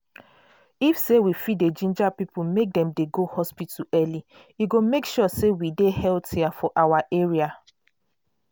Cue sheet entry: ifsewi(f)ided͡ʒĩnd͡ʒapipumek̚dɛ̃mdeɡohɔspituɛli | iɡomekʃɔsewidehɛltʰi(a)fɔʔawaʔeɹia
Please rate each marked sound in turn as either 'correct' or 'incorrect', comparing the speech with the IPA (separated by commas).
correct, correct